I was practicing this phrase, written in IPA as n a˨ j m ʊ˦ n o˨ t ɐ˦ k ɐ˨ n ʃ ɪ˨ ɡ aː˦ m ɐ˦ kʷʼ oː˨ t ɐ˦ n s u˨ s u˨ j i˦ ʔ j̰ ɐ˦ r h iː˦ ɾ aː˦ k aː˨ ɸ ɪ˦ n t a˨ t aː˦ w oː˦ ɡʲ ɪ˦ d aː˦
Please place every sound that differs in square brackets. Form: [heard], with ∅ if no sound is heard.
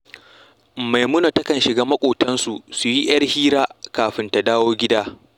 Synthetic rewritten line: [m] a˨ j m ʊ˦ n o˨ t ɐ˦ k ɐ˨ n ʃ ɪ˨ ɡ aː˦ m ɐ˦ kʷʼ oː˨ t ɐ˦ n s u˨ s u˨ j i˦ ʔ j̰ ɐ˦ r h iː˦ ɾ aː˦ k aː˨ ɸ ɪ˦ n t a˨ [d] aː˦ w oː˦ ɡʲ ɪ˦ d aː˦